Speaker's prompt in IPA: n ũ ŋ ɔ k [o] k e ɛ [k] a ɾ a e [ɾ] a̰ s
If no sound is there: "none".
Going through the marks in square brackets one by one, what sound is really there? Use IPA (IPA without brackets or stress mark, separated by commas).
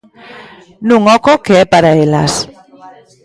o, p, l